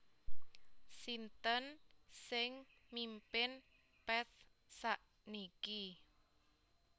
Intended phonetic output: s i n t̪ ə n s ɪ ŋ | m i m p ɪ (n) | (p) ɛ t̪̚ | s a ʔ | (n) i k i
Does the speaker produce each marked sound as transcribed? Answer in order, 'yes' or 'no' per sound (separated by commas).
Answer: yes, yes, yes